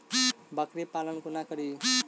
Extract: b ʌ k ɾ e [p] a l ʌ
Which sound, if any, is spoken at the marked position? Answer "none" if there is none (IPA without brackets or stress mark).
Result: p